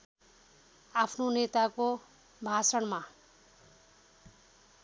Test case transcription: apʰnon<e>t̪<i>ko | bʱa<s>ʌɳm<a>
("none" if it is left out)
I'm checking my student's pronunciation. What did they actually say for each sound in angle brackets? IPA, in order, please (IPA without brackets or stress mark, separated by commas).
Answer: e, a, s, a